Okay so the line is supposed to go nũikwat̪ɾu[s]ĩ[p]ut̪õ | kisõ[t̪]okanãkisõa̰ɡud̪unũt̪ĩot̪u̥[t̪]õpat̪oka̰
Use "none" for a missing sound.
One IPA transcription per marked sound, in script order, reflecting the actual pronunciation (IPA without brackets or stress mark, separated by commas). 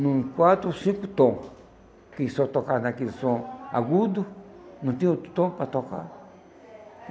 s, k, t̪, t̪